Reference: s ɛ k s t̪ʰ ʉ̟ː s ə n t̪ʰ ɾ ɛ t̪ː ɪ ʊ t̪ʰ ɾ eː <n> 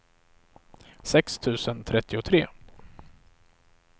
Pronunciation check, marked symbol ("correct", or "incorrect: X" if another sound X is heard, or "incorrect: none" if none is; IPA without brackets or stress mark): incorrect: none